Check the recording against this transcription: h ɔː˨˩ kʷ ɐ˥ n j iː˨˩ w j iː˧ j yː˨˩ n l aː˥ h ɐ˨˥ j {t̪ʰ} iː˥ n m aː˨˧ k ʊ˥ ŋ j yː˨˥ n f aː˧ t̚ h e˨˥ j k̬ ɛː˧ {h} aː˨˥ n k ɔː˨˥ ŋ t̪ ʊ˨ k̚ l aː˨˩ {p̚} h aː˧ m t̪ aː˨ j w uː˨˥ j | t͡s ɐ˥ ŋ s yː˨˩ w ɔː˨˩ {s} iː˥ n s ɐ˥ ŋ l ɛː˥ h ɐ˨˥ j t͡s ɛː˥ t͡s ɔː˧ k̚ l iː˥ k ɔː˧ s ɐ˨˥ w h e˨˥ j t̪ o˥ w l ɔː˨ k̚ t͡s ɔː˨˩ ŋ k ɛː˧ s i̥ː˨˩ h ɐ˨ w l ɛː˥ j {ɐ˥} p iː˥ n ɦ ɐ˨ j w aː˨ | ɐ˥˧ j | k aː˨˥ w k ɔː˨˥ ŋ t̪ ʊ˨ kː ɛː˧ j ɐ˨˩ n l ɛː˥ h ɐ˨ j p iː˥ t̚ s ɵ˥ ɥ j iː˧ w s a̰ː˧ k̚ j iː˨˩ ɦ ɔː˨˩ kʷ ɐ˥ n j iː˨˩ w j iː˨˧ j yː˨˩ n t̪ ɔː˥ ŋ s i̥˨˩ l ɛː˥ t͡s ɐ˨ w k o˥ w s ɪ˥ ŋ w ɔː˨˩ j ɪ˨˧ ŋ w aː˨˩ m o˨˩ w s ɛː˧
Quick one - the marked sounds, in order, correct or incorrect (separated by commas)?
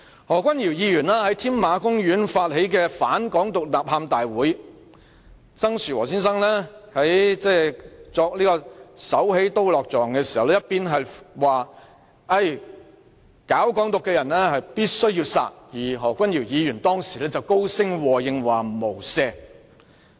correct, incorrect, correct, correct, correct